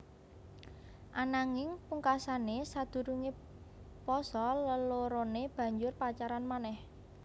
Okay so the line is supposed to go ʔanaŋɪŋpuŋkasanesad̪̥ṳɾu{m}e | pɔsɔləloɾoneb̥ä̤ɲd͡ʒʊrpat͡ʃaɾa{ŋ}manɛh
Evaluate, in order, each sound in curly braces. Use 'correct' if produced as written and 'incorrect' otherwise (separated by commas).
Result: incorrect, incorrect